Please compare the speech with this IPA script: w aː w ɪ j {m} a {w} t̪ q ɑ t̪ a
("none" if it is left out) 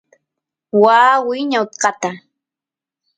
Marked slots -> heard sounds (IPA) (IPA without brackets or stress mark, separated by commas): ɲ, w